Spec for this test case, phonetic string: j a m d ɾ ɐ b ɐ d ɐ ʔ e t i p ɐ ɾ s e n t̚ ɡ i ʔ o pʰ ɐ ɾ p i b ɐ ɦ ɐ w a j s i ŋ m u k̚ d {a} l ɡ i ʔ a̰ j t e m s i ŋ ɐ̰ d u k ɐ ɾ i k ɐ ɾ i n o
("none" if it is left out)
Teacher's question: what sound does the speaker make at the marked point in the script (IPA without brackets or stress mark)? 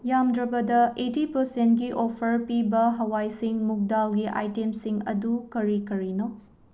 a